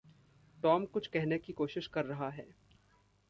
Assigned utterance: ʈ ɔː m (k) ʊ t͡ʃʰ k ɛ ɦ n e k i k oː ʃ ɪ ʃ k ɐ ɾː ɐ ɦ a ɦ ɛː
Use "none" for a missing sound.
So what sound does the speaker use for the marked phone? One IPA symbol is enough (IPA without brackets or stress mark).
k